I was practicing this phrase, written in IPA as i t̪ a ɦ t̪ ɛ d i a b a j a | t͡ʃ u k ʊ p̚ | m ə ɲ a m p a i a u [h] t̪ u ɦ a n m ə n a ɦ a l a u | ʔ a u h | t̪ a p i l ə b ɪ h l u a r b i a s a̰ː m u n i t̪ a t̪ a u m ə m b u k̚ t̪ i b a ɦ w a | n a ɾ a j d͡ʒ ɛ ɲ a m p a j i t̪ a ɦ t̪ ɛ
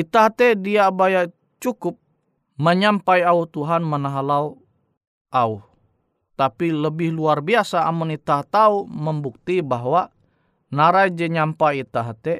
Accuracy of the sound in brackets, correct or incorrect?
correct